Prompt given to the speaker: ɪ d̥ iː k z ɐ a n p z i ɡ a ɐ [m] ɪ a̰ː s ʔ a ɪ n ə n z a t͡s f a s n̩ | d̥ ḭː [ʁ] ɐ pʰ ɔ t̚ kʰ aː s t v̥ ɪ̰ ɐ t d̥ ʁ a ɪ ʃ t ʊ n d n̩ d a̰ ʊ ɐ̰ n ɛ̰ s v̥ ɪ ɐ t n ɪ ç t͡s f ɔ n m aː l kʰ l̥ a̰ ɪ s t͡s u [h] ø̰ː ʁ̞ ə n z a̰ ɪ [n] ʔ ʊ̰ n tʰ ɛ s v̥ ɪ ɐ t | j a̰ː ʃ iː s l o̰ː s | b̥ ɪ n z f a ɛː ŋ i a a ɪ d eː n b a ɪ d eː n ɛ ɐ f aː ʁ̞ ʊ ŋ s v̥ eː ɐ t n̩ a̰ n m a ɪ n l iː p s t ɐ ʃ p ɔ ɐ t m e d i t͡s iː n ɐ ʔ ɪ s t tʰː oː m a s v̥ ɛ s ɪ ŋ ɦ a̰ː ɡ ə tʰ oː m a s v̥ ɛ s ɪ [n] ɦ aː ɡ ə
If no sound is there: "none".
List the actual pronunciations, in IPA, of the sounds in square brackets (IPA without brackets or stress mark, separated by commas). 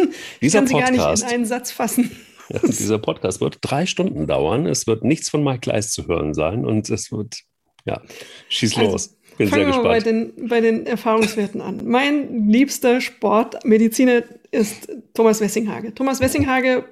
n, z, h, n, ŋ